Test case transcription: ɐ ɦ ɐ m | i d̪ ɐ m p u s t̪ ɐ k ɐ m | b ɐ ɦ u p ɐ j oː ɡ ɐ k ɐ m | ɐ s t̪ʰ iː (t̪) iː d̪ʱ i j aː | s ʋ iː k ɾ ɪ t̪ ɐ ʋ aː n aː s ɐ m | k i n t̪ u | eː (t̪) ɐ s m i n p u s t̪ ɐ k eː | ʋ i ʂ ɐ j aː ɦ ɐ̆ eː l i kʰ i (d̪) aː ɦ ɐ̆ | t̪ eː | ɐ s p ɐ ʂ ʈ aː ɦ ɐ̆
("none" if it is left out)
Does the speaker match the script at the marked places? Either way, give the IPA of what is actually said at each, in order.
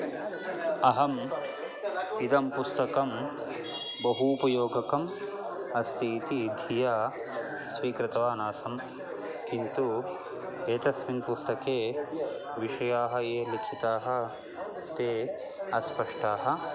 t̪, t̪, t̪

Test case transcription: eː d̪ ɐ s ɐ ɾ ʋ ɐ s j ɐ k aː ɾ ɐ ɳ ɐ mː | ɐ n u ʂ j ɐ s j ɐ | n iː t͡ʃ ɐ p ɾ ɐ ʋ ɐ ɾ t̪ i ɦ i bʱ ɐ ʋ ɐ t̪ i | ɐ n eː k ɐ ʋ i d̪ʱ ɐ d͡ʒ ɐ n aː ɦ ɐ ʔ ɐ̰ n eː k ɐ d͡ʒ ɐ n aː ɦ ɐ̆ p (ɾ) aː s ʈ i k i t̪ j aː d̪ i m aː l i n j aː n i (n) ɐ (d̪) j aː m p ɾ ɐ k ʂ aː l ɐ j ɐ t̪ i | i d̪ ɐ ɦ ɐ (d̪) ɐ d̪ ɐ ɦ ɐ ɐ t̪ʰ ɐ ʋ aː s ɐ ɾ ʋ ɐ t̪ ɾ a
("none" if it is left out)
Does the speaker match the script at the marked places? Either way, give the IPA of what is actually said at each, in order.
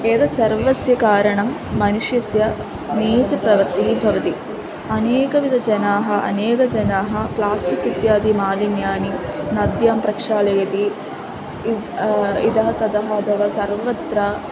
l, n, d̪, t̪

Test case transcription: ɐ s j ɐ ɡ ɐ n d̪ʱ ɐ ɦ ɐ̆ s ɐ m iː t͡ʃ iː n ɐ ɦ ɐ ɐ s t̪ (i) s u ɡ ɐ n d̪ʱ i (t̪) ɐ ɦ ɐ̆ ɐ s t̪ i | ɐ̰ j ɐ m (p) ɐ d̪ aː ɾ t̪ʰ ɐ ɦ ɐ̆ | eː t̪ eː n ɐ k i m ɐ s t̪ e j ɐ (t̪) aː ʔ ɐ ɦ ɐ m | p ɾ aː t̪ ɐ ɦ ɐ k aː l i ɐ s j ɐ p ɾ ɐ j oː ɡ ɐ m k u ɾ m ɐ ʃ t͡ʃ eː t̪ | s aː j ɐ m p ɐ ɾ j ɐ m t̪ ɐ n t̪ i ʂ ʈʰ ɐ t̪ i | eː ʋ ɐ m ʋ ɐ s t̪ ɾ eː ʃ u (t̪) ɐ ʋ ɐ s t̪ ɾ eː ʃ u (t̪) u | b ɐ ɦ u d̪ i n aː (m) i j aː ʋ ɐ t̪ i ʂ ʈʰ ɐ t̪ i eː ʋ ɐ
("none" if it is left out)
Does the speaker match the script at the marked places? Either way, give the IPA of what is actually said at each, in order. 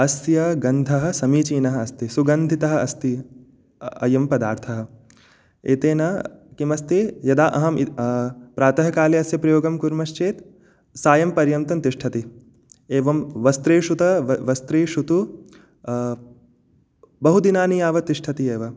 i, t̪, p, d̪, t̪, t̪, n

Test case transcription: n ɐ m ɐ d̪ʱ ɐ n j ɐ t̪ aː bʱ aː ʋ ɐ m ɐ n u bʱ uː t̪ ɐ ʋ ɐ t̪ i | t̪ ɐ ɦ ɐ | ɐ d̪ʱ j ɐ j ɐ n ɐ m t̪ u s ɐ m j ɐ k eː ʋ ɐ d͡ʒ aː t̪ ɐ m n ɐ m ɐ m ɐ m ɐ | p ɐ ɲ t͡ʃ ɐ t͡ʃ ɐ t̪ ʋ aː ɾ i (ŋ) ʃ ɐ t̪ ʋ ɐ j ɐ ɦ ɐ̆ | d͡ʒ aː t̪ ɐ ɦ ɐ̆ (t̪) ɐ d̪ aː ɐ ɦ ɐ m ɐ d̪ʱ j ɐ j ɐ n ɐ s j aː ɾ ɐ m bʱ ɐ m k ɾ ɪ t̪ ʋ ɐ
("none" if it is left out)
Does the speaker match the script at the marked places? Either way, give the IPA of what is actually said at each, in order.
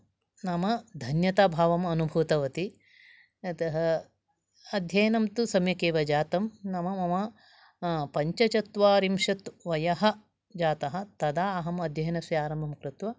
m, t̪

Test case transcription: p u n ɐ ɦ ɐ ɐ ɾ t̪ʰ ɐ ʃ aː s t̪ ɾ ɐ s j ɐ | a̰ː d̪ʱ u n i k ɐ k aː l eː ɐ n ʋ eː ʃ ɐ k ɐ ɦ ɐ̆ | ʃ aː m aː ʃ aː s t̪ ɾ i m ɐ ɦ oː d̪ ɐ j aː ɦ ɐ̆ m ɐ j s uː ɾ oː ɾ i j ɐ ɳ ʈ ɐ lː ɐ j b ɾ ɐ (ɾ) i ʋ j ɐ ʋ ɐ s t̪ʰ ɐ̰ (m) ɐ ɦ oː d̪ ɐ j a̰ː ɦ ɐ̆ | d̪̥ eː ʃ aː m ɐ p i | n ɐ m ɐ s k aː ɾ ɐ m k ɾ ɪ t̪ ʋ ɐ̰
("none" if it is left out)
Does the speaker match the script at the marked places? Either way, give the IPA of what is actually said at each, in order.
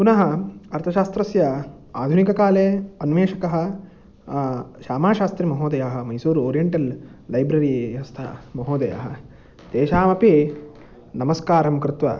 ɾ, m

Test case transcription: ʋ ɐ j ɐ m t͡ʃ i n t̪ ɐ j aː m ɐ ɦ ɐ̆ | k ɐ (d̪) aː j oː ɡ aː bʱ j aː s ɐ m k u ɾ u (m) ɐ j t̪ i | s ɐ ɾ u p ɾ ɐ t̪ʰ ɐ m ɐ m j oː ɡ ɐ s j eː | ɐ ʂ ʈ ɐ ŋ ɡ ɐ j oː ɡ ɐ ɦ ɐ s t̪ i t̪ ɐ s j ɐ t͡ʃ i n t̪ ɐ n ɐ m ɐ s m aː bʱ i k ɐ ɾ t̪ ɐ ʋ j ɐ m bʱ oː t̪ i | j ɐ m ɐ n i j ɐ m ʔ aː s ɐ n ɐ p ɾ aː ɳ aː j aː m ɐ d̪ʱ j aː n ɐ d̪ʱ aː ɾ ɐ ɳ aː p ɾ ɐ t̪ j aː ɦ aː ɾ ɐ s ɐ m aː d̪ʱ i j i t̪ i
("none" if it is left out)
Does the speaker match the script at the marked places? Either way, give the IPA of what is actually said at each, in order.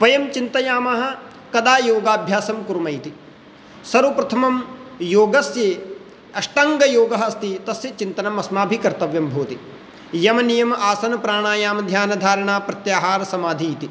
d̪, m

